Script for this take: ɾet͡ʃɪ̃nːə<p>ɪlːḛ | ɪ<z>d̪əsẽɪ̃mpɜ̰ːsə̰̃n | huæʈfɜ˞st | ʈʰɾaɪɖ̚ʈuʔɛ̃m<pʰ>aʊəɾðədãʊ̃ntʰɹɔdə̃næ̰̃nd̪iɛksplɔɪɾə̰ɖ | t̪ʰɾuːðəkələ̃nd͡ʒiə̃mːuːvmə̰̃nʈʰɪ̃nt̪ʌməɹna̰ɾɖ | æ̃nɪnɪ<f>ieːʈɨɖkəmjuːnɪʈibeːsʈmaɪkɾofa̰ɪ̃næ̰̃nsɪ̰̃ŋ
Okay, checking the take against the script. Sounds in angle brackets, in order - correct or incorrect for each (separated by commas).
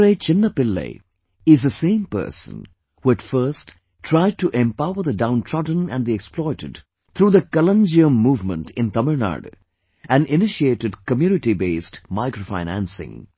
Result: correct, correct, incorrect, incorrect